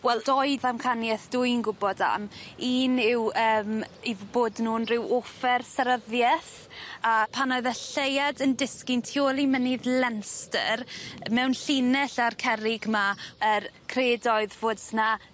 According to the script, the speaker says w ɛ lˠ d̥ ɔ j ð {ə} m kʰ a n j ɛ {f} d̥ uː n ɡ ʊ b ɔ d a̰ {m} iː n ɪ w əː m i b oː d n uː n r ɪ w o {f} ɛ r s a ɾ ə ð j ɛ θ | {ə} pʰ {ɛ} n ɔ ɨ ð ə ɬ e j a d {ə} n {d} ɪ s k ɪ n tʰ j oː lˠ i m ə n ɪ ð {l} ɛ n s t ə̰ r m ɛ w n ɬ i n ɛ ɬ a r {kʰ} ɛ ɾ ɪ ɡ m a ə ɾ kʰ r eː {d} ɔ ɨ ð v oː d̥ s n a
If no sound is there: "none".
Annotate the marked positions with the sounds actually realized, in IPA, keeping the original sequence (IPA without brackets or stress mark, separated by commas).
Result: a, θ, m, f, a, a, ə, d, l, kʰ, d